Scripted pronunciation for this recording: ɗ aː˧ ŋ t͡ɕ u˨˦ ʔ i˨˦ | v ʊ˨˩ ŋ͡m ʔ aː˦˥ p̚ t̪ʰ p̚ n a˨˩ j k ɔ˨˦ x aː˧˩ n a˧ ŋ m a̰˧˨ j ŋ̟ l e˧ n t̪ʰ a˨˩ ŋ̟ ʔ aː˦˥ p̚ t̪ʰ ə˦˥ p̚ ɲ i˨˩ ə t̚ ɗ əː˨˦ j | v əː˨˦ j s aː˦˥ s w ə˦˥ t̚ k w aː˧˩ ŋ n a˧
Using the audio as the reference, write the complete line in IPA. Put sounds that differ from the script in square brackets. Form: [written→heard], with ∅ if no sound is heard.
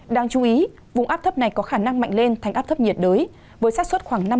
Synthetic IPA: ɗ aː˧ ŋ t͡ɕ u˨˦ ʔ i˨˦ | v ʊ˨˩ ŋ͡m ʔ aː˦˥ p̚ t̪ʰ p̚ n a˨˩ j k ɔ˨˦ x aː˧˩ n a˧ ŋ m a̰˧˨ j ŋ̟ l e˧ n t̪ʰ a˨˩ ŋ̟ ʔ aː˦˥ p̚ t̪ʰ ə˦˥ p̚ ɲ i˨˩ ə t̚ ɗ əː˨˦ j | v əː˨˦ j s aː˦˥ s w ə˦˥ t̚ [k→x] w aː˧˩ ŋ n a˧